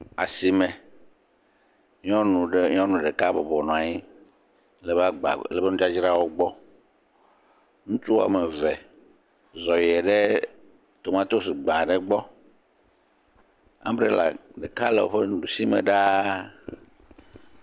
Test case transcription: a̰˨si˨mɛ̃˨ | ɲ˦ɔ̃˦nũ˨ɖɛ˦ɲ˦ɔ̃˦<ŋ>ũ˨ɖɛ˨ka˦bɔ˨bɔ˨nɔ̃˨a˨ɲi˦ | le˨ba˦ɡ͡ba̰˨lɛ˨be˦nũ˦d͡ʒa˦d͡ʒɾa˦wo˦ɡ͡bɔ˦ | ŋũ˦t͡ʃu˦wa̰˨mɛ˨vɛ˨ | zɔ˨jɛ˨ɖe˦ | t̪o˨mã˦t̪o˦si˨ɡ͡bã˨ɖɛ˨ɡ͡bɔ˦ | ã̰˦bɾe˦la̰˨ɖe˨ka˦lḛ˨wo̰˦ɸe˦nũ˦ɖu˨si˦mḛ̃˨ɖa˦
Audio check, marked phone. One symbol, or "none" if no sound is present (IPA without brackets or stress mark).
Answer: n